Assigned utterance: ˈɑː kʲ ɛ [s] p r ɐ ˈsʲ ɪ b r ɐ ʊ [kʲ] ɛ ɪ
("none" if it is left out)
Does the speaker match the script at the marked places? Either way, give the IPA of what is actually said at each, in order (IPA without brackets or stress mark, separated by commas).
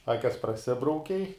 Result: s, kʲ